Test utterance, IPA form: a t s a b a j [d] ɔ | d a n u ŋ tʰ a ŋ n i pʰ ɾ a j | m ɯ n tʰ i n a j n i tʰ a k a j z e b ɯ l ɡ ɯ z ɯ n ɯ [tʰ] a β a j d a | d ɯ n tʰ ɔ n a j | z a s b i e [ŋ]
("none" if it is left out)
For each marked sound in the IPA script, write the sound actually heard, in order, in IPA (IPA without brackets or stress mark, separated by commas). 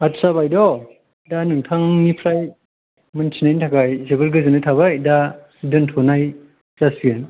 d, tʰ, n